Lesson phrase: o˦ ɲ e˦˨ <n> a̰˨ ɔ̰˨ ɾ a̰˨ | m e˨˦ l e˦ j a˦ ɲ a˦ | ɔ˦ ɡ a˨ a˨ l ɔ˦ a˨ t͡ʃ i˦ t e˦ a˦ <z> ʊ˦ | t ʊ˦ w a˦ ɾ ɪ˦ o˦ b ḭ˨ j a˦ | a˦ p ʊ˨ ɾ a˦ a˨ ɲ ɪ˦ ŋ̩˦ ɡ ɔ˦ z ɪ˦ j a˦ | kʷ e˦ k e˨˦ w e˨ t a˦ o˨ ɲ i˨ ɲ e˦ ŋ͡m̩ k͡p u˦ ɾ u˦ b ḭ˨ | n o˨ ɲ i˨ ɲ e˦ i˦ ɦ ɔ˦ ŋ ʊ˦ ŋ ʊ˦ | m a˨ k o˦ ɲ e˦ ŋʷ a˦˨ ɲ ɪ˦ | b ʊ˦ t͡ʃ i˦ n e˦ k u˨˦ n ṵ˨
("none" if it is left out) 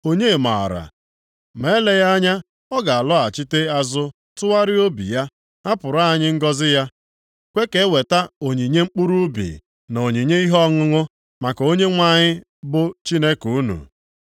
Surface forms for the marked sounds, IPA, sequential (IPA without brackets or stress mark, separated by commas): m, z